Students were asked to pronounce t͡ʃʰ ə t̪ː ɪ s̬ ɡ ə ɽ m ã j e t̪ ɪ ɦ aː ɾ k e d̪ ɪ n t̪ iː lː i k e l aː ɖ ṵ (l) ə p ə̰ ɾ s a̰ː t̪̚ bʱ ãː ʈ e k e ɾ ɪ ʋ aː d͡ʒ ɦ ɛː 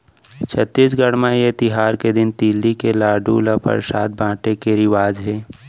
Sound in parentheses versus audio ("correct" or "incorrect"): correct